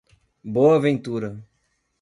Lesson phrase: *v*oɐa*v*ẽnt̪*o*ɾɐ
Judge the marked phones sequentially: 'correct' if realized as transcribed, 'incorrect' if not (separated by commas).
incorrect, correct, incorrect